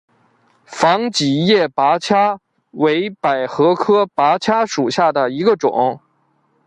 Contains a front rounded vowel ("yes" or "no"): no